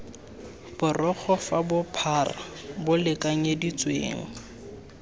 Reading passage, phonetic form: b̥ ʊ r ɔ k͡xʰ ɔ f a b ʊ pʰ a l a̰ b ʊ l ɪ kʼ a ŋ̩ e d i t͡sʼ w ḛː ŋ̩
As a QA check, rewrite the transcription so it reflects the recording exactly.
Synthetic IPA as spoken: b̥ ʊ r ɔ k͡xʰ ɔ f a b ʊ pʰ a r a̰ b ʊ l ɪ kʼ a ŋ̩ e d i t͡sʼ w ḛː ŋ̩